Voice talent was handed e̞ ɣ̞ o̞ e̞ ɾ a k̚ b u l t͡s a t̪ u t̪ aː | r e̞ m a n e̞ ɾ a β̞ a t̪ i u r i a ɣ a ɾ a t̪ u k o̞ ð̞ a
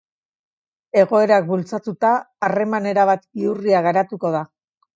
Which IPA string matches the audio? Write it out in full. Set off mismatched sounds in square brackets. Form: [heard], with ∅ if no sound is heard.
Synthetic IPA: e̞ ɣ̞ o̞ e̞ ɾ a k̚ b u l t͡s a t̪ u t̪ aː | r e̞ m a n e̞ ɾ a β̞ a t̪ i u r i a ɣ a ɾ a t̪ u k o̞ ð̞ a